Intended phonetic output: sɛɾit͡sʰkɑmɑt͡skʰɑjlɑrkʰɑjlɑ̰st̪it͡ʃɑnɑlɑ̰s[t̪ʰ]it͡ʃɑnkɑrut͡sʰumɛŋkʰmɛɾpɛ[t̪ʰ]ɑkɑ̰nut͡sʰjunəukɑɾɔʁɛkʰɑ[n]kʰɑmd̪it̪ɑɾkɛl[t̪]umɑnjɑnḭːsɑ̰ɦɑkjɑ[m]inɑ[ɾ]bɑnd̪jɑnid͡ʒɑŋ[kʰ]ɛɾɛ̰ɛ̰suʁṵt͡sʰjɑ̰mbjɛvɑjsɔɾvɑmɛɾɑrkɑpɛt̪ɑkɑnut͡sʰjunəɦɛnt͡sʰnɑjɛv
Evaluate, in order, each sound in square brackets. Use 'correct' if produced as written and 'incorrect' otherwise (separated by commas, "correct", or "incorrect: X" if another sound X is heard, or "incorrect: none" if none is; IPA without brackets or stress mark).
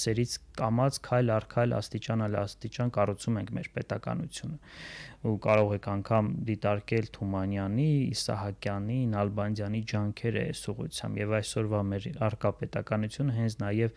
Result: incorrect: t̪, incorrect: t̪, incorrect: ŋ, incorrect: t̪ʰ, incorrect: n, incorrect: l, correct